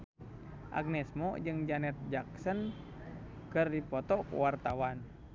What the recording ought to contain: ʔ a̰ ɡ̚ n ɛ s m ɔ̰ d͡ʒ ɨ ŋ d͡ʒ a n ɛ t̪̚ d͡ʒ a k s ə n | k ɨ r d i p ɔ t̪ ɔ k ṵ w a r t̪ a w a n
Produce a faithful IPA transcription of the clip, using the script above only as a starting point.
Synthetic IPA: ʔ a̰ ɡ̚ n ɛ s m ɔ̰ d͡ʒ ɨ ŋ d͡ʒ a n ɛ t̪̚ d͡ʒ a k s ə n | k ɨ r d i p ɔ t̪ ɔ k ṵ w a r t̪ a w a n